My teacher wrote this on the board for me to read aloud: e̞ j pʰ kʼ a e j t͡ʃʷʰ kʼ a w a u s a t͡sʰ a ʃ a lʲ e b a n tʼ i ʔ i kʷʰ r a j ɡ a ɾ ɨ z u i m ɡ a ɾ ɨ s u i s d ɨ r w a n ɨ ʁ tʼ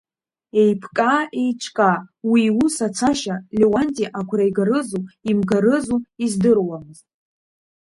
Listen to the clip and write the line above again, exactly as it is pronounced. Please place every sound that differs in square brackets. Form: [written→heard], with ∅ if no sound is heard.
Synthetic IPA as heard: e̞ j pʰ kʼ a e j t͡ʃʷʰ kʼ a w [a→i] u s a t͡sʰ a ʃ a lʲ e [b→w] a n tʼ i ʔ [i→a] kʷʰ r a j ɡ a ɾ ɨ z u i m ɡ a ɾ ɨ [s→z] u i [s→z] d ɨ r w a [n→m] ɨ [ʁ→z] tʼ